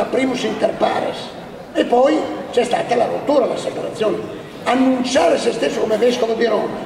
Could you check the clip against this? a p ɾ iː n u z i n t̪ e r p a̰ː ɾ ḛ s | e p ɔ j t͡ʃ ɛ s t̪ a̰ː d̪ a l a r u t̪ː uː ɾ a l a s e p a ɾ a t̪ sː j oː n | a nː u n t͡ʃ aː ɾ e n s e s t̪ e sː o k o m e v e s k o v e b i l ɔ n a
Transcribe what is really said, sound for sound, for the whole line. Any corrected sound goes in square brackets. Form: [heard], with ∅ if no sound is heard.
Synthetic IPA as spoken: a p ɾ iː [m] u [s] i n t̪ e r p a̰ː ɾ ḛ s | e p ɔ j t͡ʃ ɛ s t̪ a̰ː [t̪] a l a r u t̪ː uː ɾ a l a s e p a ɾ a t̪ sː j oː n | a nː u n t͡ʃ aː ɾ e [∅] s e s t̪ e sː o k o m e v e s k o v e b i [ɾ] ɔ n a